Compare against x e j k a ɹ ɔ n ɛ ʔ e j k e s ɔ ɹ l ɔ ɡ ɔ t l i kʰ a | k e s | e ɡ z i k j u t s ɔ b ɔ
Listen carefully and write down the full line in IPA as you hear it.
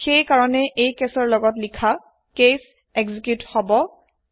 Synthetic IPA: x e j k a ɹ ɔ n ɛ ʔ e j k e s ɔ ɹ l ɔ ɡ ɔ t l i kʰ a | k e s | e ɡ z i k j u t h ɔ b ɔ